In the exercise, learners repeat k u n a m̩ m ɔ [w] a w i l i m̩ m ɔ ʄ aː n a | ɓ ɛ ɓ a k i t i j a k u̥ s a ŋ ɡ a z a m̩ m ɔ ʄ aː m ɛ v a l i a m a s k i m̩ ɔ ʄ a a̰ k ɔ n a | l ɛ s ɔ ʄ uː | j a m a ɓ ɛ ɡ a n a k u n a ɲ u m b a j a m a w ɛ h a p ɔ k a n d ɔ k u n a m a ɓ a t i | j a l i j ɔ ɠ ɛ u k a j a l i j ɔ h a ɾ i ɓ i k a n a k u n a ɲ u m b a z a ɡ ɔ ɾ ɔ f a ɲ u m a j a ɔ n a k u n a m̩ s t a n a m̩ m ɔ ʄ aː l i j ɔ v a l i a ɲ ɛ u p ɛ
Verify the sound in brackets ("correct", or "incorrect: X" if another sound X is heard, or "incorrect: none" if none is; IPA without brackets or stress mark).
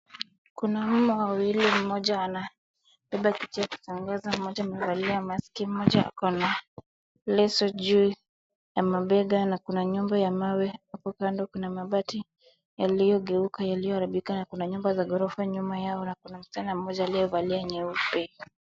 correct